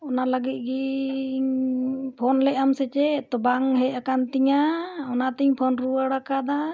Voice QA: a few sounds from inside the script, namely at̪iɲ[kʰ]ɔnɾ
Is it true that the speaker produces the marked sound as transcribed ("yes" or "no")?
no